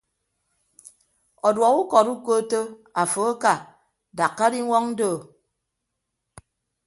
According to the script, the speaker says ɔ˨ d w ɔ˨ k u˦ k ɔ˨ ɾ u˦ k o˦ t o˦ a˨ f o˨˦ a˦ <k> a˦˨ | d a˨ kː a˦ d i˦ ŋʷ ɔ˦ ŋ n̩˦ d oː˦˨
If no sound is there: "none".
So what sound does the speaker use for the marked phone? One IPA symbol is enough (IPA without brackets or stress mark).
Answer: k